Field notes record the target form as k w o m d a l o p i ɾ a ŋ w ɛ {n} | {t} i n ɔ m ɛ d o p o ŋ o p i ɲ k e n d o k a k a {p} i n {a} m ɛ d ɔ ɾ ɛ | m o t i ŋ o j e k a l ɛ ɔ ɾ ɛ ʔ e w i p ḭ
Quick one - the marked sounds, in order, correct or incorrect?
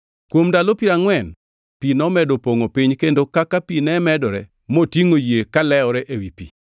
correct, incorrect: p, correct, incorrect: ɛ

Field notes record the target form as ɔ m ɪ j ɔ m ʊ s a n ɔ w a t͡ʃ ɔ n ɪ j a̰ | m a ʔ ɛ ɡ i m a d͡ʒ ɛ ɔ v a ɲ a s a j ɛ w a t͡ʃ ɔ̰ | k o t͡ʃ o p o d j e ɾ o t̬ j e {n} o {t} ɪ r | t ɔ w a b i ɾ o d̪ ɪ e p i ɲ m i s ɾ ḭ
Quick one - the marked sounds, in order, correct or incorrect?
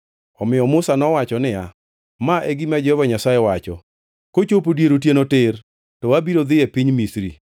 correct, correct

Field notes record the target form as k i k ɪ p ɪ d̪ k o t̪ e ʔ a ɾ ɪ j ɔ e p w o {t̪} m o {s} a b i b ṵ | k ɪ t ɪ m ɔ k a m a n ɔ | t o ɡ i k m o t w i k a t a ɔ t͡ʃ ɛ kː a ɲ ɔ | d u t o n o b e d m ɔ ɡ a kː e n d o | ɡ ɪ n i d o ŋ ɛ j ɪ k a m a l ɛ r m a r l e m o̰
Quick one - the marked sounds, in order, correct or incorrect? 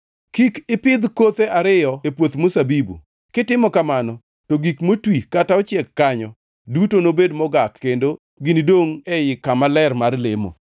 correct, correct

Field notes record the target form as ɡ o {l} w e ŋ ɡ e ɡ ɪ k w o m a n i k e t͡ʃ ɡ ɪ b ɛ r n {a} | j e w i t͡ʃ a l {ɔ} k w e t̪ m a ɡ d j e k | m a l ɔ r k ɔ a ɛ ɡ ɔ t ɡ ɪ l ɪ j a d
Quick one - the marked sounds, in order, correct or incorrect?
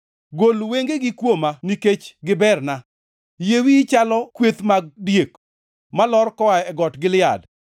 correct, correct, correct

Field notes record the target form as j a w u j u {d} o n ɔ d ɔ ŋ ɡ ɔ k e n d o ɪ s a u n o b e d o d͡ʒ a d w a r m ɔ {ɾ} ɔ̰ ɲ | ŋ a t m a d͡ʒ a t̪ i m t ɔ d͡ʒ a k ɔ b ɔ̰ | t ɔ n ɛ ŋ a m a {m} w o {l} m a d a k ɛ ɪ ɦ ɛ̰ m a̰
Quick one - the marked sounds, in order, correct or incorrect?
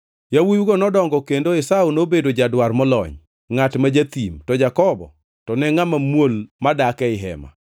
incorrect: ɡ, incorrect: l, correct, correct

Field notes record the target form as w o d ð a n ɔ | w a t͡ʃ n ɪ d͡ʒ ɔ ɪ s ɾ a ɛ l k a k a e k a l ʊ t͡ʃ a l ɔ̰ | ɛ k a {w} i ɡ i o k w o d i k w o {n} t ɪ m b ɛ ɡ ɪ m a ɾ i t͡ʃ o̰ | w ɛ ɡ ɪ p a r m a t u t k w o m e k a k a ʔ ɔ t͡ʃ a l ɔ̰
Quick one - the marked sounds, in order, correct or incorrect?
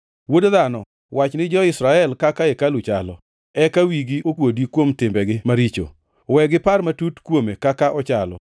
correct, incorrect: m

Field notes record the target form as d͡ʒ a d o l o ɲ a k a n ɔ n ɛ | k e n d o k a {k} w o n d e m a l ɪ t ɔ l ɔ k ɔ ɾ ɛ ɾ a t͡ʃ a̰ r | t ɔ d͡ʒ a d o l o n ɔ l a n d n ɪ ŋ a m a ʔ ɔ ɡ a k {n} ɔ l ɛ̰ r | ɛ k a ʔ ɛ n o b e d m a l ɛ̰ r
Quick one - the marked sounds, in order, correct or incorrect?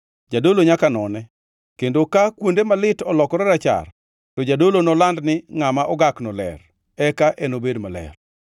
correct, correct

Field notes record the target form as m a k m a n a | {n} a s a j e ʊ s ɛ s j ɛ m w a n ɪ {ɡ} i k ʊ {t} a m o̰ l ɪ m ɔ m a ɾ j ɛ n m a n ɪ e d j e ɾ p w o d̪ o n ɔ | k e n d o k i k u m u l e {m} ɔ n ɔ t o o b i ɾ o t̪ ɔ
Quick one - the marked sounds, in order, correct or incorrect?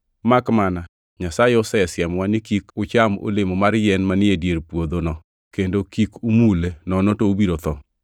incorrect: ɲ, incorrect: k, incorrect: t͡ʃ, incorrect: n

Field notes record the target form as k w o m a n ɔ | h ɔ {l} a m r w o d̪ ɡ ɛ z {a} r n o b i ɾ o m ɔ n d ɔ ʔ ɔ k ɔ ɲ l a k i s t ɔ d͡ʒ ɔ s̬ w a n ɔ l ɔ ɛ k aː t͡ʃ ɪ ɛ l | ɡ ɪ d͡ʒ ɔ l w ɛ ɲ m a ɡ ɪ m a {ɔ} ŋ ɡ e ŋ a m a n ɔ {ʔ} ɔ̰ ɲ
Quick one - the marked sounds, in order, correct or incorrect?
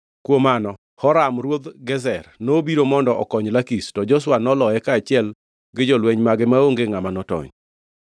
incorrect: ɾ, incorrect: ɛ, incorrect: o, incorrect: t

